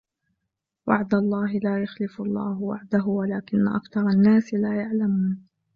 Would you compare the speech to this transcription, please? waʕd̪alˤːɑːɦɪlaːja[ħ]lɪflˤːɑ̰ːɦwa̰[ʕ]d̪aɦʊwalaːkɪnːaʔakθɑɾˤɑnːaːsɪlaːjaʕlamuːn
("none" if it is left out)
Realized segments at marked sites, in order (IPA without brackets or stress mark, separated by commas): x, ʕ